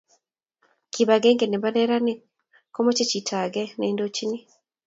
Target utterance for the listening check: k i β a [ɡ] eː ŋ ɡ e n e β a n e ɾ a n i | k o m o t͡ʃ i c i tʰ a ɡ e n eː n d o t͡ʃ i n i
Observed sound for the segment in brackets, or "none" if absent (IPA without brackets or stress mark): ɡ